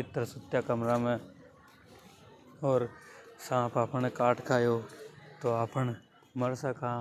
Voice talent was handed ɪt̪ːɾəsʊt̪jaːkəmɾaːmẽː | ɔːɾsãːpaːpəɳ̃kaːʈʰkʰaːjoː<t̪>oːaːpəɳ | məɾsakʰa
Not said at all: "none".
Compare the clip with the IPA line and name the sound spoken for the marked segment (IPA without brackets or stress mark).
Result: t̪